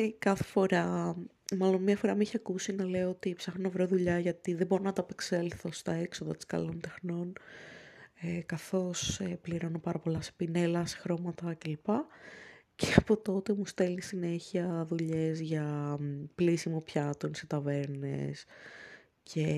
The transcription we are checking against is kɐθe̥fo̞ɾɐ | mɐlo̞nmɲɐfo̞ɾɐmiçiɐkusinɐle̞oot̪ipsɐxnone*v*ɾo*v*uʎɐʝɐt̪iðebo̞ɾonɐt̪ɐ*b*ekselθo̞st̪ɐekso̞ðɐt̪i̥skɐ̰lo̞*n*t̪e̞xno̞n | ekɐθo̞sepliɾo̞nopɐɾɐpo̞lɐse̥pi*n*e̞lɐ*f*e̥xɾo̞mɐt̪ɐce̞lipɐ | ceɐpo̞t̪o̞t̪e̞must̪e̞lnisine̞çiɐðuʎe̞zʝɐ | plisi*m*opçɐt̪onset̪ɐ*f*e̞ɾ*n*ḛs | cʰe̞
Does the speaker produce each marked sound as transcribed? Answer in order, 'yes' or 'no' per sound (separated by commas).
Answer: yes, no, no, yes, yes, no, yes, no, yes